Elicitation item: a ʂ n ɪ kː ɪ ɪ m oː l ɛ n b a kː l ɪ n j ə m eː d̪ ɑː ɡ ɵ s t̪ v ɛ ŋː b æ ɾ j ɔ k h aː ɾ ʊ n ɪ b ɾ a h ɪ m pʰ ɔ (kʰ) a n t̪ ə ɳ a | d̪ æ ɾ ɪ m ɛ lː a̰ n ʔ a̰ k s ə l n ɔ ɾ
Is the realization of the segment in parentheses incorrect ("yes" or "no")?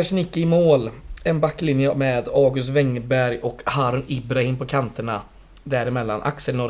no